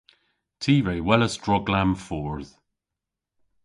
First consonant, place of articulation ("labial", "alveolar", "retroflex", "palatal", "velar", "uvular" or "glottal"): alveolar